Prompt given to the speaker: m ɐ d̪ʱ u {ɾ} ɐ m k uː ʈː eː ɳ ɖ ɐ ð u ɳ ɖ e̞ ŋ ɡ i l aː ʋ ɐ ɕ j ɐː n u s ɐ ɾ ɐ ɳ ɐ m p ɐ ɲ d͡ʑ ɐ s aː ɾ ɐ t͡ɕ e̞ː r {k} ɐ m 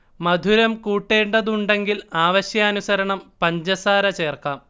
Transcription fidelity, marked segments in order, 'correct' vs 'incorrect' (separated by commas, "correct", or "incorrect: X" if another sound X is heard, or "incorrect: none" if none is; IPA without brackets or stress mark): correct, correct